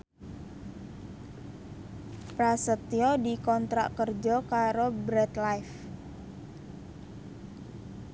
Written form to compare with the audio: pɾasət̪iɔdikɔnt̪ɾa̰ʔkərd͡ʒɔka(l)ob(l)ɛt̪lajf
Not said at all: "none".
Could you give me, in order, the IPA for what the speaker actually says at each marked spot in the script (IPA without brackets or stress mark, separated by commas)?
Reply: ɾ, ɾ